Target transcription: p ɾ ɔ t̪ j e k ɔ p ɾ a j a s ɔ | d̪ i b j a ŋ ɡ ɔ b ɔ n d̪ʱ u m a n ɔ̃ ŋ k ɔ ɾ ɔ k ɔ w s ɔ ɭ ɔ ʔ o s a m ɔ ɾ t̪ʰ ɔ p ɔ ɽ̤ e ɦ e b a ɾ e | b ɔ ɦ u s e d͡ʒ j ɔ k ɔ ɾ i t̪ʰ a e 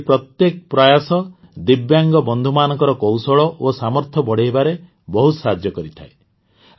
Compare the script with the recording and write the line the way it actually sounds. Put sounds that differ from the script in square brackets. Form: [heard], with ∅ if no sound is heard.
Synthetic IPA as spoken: p ɾ ɔ t̪ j e k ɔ p ɾ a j a s ɔ | d̪ i b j a ŋ ɡ ɔ b ɔ n d̪ʱ u m a n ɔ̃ ŋ k ɔ ɾ ɔ k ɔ w s ɔ ɭ ɔ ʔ o s a m ɔ ɾ t̪ʰ ɔ [b] ɔ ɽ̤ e ɦ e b a ɾ e | b ɔ ɦ u s [a] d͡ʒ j ɔ k ɔ ɾ i t̪ʰ a e